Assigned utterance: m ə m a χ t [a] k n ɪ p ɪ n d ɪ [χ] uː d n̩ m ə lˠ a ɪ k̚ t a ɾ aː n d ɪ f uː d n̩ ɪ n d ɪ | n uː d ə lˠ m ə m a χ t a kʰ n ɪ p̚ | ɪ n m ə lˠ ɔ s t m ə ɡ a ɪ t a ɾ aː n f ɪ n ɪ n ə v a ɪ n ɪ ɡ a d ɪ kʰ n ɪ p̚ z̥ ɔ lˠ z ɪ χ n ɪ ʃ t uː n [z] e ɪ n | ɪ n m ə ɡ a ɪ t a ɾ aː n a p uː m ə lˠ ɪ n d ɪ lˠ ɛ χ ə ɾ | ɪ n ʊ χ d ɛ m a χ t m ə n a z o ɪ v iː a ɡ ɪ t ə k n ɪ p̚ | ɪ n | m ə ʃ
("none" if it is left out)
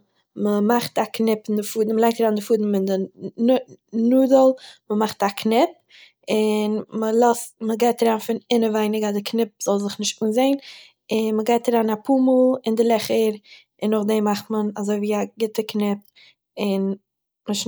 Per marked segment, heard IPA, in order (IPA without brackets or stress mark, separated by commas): a, f, z